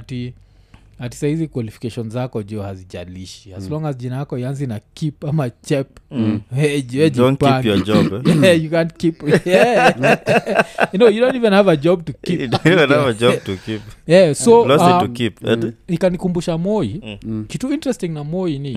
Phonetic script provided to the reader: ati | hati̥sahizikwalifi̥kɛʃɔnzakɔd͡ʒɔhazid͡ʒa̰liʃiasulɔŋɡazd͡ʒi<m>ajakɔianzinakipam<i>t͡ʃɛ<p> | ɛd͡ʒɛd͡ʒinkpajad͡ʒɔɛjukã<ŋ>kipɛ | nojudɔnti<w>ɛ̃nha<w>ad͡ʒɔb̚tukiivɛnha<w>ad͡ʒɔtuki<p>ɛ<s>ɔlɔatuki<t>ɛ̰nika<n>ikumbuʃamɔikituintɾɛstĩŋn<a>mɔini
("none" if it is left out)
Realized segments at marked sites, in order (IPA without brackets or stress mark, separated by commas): n, a, p, n, v, v, v, p, s, p, n, a